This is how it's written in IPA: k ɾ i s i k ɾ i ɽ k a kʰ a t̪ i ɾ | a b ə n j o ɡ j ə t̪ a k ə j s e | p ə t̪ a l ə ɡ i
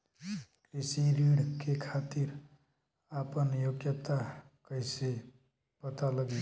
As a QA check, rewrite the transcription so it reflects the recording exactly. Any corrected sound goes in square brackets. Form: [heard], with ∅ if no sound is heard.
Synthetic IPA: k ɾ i s i [∅] ɾ i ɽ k [e] kʰ a t̪ i ɾ | a [p] ə n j o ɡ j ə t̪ a k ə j s e | p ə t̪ a l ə ɡ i